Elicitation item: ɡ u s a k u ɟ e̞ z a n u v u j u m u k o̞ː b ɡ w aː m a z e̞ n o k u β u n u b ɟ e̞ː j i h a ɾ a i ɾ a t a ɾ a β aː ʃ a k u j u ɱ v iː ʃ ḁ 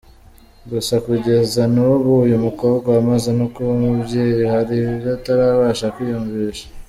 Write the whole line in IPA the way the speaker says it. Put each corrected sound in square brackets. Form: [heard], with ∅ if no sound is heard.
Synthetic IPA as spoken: ɡ u s a k u ɟ e̞ z a n u [β] u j u m u k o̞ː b ɡ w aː m a z e̞ n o k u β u [m] u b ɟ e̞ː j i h a ɾ [i] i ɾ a t a ɾ a β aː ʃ a k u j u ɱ v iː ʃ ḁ